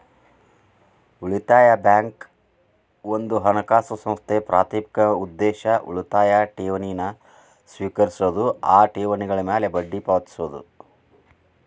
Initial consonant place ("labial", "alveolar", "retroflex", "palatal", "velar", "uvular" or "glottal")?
retroflex